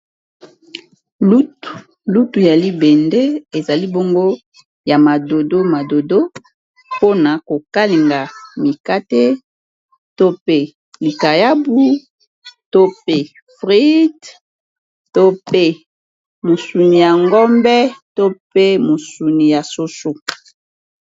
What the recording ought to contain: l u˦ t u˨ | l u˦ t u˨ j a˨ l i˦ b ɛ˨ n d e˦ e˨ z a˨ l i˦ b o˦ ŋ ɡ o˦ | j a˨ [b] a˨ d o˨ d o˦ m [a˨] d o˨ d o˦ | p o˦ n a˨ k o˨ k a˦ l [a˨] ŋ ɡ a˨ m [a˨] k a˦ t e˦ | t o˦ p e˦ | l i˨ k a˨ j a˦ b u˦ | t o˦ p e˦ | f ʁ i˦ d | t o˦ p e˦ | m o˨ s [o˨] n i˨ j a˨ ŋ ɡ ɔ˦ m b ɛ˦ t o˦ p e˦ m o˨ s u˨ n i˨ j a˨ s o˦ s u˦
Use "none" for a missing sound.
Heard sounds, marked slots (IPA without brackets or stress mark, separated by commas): m, a˨, i˨, i˨, u˨